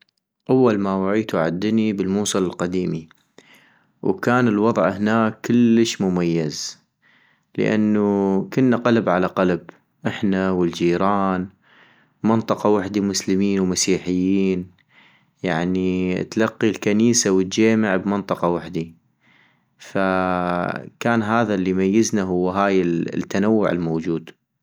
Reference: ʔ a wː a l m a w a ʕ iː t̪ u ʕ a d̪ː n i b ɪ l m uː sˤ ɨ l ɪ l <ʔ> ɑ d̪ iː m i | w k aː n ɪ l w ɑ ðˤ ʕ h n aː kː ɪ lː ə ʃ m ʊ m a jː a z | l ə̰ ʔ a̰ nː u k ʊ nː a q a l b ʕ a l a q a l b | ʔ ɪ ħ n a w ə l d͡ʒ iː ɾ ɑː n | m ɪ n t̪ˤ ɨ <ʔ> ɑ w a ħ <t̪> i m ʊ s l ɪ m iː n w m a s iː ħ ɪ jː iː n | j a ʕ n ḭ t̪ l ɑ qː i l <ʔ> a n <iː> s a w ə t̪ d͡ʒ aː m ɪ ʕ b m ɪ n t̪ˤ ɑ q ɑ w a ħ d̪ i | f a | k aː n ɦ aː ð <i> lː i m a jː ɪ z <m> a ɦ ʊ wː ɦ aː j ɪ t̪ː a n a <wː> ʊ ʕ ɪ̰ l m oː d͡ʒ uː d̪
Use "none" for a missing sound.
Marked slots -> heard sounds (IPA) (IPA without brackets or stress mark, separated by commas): q, q, d̪, k, iː, a, n, wː